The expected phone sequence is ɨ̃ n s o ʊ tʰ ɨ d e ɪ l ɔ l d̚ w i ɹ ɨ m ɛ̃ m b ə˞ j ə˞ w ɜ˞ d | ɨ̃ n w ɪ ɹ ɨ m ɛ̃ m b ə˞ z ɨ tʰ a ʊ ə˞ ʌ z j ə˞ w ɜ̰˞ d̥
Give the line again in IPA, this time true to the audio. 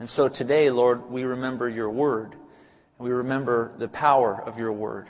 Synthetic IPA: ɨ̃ n s o ʊ tʰ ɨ d e ɪ l ɔ ɹ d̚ w i ɹ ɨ m ɛ̃ m b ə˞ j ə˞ w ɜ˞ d | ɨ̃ n w i ɹ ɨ m ɛ̃ m b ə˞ ð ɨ pʰ a ʊ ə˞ ʌ v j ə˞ w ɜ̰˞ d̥